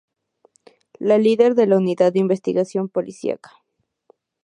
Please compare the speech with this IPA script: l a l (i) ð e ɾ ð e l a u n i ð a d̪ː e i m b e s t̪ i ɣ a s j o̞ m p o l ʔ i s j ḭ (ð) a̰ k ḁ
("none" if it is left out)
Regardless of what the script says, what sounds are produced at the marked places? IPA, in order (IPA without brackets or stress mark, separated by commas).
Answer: i, none